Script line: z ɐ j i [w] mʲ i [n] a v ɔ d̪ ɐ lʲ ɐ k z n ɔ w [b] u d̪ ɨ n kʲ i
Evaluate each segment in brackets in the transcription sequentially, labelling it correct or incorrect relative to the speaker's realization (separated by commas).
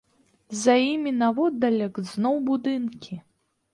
incorrect, correct, correct